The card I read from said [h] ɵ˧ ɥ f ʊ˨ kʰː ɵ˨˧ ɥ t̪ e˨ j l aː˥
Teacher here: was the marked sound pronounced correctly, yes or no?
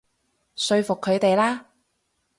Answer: no